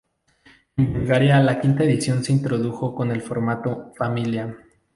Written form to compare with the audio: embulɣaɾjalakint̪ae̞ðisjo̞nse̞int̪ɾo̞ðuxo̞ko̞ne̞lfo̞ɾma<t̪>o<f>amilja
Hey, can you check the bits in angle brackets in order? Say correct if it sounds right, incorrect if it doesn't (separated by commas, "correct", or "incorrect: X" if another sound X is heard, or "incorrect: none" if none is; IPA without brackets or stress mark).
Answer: correct, correct